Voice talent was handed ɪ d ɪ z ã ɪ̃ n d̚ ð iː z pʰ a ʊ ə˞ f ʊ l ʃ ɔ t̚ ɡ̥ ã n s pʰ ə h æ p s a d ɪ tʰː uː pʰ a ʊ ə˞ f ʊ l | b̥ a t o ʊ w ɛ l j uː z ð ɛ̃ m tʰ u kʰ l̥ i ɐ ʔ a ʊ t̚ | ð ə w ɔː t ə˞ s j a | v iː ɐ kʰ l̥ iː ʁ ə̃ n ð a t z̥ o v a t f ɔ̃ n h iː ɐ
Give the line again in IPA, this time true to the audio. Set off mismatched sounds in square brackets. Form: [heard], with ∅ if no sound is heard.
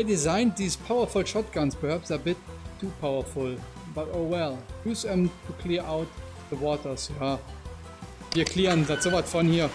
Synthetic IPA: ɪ d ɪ z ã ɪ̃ n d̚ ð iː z pʰ a ʊ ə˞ f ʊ l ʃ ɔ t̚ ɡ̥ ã n s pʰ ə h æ p s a [b] ɪ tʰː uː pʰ a ʊ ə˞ f ʊ l | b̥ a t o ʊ w ɛ l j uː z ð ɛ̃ m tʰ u kʰ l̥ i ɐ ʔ a ʊ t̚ | ð ə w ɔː t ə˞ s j a | v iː ɐ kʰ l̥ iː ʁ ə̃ n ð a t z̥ o v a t f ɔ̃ n h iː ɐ